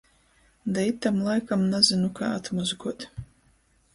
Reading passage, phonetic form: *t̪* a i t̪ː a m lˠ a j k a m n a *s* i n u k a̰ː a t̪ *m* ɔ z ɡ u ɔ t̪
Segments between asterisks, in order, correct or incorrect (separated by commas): incorrect, incorrect, correct